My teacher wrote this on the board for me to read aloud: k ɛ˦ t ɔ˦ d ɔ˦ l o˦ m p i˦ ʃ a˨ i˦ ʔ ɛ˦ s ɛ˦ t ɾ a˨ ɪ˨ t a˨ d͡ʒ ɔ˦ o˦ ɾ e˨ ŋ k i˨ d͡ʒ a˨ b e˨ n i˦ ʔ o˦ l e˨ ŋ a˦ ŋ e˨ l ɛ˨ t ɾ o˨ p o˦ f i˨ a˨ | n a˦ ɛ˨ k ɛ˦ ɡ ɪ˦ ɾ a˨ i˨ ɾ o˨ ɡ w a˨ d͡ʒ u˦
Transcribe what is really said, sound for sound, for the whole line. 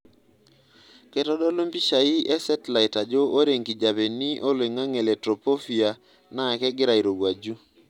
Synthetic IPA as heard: k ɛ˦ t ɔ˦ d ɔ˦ l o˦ m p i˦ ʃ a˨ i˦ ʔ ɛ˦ s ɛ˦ t l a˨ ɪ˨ t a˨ d͡ʒ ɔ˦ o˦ ɾ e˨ ŋ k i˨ d͡ʒ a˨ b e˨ n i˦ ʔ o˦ l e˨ ŋ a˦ ŋ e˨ l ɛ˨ t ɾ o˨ p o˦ f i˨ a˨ | n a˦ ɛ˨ k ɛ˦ ɡ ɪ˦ ɾ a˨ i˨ ɾ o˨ ɡ w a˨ d͡ʒ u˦